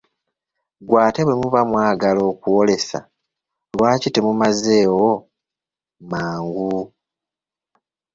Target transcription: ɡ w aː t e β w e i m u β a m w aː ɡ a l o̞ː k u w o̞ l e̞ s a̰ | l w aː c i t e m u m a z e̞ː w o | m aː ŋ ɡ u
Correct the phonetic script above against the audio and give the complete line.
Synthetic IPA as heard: ɡ w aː t e β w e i m u β a m w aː ɡ a l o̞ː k u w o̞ l e̞ s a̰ | l w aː c i t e m u m a z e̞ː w o | m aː ŋ ɡ u